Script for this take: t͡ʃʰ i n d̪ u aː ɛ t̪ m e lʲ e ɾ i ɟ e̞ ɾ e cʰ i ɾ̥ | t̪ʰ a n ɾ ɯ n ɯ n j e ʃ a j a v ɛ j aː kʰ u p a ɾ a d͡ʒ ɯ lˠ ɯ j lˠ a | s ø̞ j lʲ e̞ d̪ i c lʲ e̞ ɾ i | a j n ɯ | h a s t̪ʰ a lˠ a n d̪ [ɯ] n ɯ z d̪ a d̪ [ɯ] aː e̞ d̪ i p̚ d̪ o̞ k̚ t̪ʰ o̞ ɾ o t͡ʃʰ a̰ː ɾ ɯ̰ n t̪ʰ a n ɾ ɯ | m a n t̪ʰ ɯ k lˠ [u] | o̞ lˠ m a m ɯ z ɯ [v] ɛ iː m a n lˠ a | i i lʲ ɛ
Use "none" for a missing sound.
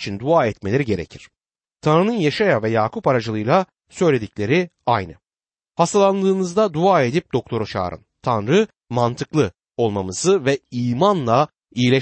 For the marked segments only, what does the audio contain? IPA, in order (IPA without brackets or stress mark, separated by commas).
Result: ɯː, u, ɯ, v